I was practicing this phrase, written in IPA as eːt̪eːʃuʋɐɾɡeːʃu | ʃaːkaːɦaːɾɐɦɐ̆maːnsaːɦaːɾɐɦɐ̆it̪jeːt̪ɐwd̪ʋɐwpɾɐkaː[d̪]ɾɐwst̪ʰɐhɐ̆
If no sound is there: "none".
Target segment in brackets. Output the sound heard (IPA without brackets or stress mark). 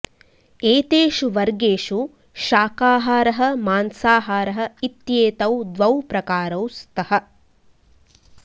none